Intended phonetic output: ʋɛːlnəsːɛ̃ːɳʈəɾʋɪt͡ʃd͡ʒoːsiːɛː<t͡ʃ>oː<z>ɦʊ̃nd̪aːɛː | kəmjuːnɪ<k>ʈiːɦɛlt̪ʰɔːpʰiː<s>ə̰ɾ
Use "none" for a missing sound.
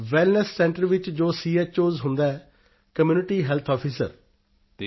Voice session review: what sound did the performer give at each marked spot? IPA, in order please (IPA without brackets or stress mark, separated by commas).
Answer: t͡ʃ, z, none, s